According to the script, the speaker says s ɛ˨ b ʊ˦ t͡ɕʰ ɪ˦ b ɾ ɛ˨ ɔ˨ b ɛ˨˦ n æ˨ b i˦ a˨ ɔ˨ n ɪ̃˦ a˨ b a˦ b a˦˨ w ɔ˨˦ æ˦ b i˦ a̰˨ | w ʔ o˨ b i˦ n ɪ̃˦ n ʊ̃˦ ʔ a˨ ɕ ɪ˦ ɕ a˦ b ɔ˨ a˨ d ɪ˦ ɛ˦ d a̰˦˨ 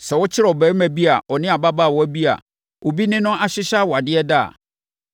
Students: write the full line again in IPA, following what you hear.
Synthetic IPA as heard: s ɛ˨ w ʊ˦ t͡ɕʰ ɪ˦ ɾ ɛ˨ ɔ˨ b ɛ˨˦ m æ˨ b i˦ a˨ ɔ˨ n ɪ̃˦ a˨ b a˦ b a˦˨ w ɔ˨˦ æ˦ b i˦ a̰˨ | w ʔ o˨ b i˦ n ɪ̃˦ n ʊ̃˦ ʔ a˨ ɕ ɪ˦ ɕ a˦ w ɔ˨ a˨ d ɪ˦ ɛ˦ d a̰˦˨